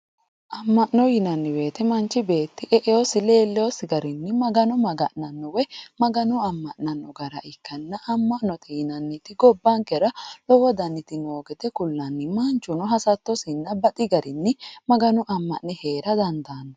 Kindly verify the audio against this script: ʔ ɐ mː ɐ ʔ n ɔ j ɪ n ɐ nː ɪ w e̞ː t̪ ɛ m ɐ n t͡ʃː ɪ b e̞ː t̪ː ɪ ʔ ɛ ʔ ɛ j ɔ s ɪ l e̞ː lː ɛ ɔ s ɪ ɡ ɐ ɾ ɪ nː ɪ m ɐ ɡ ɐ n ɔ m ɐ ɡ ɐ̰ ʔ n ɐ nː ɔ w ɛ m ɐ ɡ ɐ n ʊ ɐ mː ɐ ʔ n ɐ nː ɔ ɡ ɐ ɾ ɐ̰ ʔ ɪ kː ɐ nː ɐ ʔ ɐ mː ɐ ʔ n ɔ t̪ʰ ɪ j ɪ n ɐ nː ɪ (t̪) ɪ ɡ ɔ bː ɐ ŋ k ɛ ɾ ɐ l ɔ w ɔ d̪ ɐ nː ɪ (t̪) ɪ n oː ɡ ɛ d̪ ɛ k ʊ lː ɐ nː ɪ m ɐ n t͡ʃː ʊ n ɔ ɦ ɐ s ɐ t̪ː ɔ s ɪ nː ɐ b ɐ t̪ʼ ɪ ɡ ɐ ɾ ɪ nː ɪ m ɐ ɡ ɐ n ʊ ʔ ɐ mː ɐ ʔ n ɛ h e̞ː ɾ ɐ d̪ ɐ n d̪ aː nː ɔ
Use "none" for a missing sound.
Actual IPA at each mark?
t̪, t̪

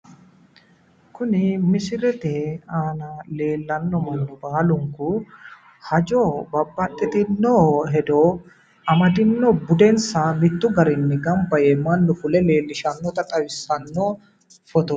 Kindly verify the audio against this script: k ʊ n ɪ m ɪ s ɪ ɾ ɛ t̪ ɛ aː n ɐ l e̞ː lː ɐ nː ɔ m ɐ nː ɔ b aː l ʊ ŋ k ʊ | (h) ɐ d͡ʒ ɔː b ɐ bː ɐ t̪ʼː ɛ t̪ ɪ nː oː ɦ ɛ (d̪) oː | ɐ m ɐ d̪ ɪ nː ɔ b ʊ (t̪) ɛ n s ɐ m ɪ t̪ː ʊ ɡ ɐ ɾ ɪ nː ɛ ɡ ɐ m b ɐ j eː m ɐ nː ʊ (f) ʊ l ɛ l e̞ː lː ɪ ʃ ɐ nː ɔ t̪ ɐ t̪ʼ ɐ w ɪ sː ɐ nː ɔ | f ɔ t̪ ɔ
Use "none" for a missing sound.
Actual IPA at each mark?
h, d̪, d̪, f

